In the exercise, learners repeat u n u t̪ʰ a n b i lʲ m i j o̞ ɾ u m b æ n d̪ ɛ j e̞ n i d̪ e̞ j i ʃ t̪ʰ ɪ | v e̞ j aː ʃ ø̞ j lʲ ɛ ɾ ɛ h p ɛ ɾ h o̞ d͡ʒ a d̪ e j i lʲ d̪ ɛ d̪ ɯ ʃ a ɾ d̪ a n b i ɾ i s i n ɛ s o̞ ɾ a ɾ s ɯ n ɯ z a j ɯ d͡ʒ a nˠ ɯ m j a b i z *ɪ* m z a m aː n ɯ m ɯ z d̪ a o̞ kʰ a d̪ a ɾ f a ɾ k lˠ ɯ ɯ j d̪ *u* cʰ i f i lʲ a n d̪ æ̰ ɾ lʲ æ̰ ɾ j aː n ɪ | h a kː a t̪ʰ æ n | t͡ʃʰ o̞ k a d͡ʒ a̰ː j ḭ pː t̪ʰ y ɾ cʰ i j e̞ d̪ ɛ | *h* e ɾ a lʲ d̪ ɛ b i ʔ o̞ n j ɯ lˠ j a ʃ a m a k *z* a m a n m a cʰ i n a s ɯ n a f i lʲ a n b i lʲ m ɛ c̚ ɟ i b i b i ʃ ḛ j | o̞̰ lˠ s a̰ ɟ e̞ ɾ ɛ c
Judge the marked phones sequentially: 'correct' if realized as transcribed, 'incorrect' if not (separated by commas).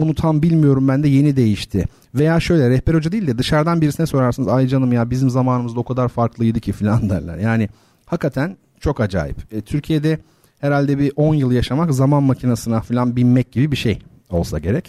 incorrect, incorrect, correct, correct